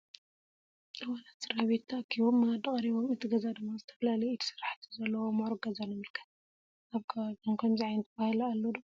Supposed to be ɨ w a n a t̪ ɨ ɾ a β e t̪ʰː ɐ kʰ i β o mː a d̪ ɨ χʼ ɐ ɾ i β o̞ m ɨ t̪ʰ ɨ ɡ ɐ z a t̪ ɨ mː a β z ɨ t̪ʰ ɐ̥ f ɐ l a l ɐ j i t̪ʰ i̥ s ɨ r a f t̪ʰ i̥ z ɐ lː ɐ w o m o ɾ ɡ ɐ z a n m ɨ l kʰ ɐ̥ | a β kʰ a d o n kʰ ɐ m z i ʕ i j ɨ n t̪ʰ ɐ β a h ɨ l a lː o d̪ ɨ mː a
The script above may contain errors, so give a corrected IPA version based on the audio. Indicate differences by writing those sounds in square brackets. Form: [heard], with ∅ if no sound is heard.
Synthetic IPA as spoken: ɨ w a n a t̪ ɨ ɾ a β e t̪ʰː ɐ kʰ i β o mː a d̪ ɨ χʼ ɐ ɾ i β o̞ m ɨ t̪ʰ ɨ ɡ ɐ z a [d̪] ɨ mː a [∅] z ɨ t̪ʰ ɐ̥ f ɐ l a l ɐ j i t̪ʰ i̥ s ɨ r a [ħ] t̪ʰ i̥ z ɐ lː ɐ w o m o ɾ ɡ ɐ z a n m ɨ l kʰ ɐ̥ | a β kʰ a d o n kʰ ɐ m z i ʕ [a] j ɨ n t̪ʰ ɐ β a h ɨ l a lː o d̪ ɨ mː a